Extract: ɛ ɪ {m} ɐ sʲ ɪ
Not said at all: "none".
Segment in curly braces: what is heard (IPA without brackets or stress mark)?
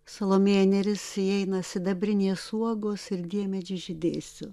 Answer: n